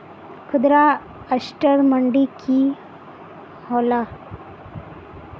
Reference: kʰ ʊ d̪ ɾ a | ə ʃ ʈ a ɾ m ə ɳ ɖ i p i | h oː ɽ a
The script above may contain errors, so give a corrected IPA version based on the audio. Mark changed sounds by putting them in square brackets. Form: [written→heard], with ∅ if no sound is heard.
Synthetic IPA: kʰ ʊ d̪ ɾ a | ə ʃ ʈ [a→ə] ɾ m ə ɳ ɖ i [p→k] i | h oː [ɽ→l] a